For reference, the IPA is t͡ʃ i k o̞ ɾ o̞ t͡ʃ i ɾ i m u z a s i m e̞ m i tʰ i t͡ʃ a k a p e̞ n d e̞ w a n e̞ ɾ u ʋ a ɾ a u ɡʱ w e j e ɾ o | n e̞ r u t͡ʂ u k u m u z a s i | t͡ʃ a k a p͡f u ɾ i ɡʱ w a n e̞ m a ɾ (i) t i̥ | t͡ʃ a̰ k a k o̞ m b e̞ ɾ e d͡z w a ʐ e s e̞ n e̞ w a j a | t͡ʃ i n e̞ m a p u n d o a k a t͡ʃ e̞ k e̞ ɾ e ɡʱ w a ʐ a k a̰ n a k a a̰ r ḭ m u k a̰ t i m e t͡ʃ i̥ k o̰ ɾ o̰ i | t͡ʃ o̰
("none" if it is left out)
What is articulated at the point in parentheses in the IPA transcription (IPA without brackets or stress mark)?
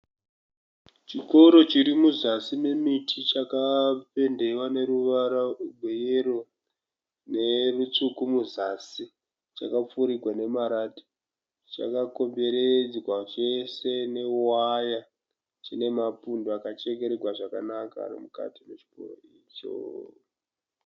a